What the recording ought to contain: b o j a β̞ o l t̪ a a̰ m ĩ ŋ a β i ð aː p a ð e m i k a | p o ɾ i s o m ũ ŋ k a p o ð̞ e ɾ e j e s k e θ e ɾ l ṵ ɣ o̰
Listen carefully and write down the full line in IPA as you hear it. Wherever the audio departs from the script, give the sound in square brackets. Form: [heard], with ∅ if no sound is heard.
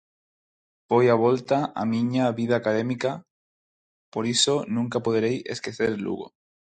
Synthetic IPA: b o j a β̞ o l t̪ a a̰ m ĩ [ɲ] a β i ð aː [k] a ð e m i k a | p o ɾ i s o [n] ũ ŋ k a p o ð̞ e ɾ e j e s k e θ e ɾ l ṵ ɣ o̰